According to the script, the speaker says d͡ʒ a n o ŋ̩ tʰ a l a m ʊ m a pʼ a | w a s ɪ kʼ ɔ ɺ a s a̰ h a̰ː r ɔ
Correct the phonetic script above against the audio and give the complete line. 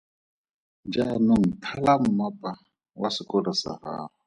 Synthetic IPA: d͡ʒ a n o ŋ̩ tʰ a l a m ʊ m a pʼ a | w a s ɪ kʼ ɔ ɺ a s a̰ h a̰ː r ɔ